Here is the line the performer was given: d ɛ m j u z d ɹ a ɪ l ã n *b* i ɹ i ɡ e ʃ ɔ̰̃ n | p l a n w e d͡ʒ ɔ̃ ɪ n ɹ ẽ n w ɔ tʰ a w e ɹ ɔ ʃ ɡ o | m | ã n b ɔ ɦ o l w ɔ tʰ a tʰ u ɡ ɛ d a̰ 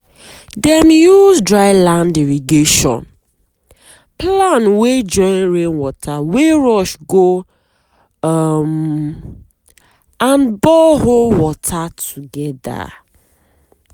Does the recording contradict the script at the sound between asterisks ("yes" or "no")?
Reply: yes